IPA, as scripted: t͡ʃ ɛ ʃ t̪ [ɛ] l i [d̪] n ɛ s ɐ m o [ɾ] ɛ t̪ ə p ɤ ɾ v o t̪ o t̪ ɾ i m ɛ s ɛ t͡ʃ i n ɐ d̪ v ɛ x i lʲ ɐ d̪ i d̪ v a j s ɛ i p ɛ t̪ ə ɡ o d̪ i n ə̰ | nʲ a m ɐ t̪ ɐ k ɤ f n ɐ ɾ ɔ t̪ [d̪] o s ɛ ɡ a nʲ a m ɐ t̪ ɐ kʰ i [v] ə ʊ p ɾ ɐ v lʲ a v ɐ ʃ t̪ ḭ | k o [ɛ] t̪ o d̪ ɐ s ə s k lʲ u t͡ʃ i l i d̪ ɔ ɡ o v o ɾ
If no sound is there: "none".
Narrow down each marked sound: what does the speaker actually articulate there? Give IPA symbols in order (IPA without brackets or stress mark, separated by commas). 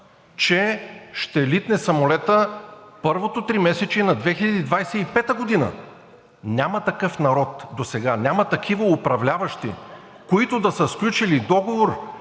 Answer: ɛ, t̪, l, d̪, v, i